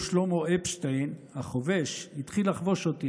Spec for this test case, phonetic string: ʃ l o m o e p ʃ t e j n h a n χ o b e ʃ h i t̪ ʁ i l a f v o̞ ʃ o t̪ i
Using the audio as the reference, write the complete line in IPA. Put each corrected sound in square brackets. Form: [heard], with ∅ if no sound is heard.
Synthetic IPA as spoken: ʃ l o m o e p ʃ t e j n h a [∅] χ o [v] e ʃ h i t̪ [χ] i l a [χ] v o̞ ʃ o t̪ i